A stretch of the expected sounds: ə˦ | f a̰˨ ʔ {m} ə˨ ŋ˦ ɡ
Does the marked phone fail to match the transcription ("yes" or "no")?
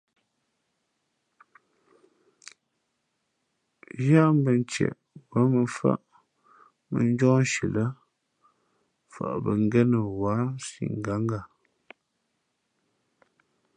yes